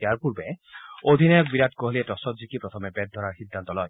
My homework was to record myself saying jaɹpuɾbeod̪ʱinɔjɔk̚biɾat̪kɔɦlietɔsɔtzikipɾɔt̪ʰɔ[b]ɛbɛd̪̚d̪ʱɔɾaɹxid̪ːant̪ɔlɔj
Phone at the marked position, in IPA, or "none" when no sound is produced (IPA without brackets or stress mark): m